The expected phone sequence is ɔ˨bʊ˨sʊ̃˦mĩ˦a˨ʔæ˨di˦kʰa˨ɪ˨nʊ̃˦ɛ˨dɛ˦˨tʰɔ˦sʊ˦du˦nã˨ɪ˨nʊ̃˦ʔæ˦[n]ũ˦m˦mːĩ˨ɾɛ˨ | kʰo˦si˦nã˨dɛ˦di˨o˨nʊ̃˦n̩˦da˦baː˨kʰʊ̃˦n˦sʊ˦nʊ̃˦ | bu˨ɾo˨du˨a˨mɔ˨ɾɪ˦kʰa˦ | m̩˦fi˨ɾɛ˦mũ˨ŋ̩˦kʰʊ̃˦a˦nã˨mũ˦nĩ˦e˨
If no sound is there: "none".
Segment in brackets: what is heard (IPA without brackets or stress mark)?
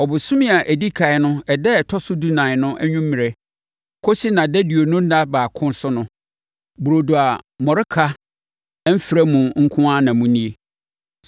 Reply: ɲ